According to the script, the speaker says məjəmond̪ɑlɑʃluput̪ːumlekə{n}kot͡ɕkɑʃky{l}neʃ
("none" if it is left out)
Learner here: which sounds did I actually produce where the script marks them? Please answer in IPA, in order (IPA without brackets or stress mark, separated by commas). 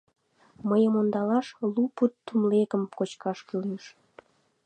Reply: m, l